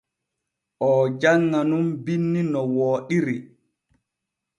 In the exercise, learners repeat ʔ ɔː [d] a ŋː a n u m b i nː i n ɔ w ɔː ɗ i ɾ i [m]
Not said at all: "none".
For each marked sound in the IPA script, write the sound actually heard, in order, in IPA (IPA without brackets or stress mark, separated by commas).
d͡ʒ, none